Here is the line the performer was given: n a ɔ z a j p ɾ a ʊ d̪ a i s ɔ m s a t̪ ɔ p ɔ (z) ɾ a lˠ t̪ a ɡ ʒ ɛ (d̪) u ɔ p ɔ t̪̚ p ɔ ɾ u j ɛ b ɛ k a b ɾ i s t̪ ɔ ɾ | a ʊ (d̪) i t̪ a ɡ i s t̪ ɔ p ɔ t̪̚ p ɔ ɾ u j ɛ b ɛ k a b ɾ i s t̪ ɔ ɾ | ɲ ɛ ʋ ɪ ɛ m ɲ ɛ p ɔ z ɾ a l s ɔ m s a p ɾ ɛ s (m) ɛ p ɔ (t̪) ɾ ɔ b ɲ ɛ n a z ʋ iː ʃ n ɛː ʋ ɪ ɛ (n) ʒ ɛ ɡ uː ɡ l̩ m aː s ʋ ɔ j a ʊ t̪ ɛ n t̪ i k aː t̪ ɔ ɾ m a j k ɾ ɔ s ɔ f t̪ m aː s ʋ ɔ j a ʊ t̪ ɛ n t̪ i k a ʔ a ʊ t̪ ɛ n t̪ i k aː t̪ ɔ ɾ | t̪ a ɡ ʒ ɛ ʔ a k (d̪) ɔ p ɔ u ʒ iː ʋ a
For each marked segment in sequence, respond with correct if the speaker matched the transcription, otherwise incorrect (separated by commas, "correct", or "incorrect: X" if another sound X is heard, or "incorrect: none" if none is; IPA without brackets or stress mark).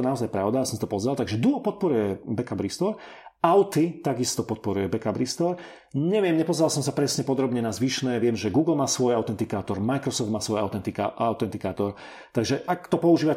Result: correct, correct, incorrect: t̪, incorrect: ɲ, incorrect: d̪, incorrect: m, incorrect: t̪